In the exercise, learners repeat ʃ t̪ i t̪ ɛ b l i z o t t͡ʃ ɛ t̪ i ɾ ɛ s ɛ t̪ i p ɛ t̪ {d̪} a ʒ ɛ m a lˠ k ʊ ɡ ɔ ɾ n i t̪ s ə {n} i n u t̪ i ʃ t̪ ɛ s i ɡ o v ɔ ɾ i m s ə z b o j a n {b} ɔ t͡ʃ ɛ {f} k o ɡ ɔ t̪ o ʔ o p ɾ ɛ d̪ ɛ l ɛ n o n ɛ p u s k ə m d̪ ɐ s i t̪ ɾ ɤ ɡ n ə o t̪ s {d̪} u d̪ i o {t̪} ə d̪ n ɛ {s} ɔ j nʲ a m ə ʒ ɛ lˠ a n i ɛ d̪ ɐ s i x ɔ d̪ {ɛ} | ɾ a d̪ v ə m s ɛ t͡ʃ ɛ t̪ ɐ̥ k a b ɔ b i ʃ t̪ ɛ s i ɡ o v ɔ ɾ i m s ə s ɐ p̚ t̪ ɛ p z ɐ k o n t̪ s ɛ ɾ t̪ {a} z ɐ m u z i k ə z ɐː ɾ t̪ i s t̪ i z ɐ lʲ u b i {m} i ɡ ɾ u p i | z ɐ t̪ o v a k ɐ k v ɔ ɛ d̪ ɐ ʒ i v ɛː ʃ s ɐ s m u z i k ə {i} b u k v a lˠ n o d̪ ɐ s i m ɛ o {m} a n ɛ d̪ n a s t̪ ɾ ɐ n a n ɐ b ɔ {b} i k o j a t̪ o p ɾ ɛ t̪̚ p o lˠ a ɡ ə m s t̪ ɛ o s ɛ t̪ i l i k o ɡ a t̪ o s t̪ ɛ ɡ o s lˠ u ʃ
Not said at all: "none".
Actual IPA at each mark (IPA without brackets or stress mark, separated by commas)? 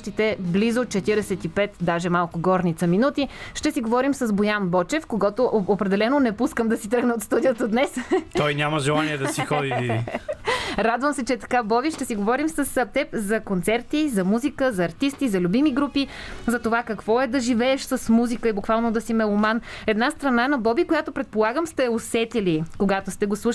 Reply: d̪, m, b, f, t̪, t̪, s, i, i, m, i, m, b